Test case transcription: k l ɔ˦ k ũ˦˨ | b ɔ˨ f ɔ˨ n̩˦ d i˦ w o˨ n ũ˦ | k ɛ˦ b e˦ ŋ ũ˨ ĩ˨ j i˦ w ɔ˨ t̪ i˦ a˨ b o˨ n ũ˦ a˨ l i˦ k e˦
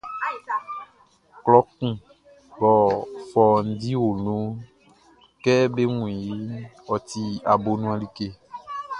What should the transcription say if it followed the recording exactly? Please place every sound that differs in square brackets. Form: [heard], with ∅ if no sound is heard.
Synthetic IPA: k l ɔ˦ k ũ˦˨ | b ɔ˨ f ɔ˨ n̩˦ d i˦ w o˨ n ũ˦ | k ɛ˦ b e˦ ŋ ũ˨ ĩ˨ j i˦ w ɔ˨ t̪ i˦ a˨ b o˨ n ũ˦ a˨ l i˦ k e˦